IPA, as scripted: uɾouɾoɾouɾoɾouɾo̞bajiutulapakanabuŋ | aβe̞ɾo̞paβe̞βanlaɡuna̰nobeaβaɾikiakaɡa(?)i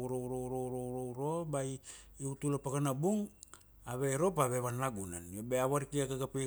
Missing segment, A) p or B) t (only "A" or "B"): A